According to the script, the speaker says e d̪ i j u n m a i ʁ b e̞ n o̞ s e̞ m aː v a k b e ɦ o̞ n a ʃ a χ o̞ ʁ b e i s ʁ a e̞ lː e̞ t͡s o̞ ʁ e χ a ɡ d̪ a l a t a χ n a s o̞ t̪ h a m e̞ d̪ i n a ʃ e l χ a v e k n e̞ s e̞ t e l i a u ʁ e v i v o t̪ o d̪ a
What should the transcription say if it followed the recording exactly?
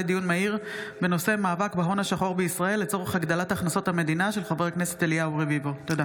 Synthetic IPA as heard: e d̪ i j u n m a i ʁ b e̞ n o̞ s e̞ m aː v a k b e ɦ o̞ n a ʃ a χ o̞ ʁ b e i s ʁ a e̞ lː e̞ t͡s o̞ ʁ e χ a ɡ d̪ a l a t a χ n a s o̞ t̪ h a m e̞ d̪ i n a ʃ e l χ a v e k n e̞ s e̞ t e l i a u ʁ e v i v o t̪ o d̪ a